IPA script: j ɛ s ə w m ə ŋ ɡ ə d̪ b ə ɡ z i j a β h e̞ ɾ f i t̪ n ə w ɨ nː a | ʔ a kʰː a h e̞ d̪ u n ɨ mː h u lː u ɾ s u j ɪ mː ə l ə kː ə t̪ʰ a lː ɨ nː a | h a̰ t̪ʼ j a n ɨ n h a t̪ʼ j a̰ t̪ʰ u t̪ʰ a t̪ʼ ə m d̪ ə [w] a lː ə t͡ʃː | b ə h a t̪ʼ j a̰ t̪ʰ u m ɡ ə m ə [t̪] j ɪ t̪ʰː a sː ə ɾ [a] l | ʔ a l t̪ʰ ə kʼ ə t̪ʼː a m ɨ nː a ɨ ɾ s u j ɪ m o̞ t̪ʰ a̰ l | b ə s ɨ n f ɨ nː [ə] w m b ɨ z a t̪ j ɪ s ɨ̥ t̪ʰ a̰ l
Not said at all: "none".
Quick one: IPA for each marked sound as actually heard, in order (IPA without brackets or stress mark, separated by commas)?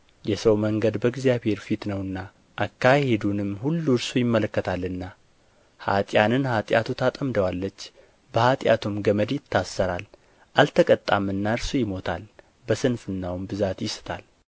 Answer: w, d̪, a, a